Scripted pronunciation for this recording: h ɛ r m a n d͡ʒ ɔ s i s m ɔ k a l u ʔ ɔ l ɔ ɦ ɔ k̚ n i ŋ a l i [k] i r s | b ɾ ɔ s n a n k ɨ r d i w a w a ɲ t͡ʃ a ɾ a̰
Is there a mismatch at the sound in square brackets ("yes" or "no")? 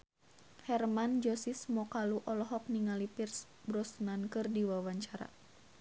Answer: yes